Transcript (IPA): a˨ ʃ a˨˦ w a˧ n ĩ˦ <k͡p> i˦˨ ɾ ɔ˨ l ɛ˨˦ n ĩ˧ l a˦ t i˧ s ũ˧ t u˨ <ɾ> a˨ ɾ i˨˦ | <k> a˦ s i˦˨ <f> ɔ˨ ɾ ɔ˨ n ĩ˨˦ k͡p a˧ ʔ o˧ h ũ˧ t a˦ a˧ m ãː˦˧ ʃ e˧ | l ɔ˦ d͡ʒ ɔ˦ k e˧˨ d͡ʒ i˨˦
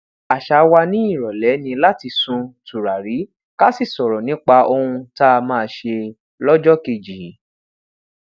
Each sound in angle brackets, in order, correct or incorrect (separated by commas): incorrect, correct, correct, incorrect